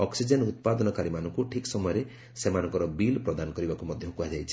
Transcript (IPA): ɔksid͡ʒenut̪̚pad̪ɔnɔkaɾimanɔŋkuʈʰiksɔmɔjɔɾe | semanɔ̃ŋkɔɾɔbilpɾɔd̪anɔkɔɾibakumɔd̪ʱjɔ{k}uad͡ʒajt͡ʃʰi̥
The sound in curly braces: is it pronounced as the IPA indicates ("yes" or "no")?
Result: yes